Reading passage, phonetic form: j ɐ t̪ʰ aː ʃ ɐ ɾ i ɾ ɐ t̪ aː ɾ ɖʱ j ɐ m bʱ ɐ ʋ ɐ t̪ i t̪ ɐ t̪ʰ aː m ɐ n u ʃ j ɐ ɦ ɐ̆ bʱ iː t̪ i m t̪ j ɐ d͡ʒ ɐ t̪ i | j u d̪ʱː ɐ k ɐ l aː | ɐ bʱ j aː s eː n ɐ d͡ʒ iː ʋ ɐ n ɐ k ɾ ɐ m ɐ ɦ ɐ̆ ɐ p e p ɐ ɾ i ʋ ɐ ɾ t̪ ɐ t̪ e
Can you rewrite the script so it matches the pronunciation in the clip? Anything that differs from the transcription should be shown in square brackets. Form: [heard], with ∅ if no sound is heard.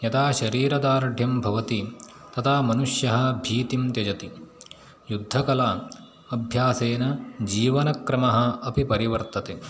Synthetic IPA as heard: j ɐ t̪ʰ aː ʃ ɐ ɾ [iː] ɾ ɐ [d̪] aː ɾ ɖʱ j ɐ m bʱ ɐ ʋ ɐ t̪ i t̪ ɐ t̪ʰ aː m ɐ n u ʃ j ɐ ɦ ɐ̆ bʱ iː t̪ i m t̪ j ɐ d͡ʒ ɐ t̪ i | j u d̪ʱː ɐ k ɐ l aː | ɐ bʱ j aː s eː n ɐ d͡ʒ iː ʋ ɐ n ɐ k ɾ ɐ m ɐ ɦ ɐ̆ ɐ p [i] p ɐ ɾ i ʋ ɐ ɾ t̪ ɐ t̪ e